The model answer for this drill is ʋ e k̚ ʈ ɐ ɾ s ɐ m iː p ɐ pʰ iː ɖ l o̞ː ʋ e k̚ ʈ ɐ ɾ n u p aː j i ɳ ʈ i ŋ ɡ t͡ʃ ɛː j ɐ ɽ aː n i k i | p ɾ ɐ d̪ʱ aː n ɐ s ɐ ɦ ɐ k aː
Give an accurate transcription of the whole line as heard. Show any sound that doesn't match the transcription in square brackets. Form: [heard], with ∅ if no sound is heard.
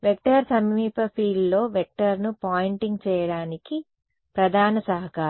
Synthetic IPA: ʋ e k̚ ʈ ɐ ɾ s ɐ m iː p ɐ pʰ iː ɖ l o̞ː ʋ e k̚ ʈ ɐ ɾ n u p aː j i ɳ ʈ i ŋ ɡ t͡ʃ ɛː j ɐ ɽ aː n i k i | p ɾ ɐ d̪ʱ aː n ɐ s ɐ ɦ ɐ k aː